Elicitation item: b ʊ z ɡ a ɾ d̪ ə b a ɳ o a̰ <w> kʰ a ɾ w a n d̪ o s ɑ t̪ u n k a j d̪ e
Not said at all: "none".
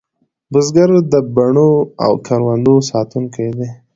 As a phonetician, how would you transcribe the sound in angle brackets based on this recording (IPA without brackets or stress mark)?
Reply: w